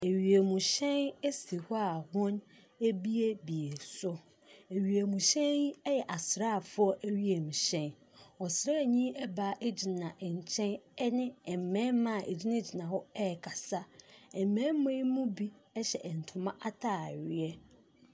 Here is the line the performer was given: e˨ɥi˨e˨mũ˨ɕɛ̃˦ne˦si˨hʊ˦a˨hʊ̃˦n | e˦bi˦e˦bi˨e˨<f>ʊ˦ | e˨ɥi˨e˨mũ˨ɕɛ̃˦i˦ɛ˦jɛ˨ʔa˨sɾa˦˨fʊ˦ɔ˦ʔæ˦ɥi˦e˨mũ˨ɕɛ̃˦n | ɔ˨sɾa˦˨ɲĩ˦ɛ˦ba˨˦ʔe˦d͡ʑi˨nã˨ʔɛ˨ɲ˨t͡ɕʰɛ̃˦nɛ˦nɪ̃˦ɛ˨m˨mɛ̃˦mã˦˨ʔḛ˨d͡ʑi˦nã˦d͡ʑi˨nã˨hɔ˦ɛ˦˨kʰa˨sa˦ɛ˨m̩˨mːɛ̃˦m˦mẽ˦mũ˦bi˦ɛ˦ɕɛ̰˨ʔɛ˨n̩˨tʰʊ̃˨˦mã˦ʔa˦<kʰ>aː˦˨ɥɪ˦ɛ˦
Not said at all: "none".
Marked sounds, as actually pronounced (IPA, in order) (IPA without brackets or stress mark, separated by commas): s, tʰ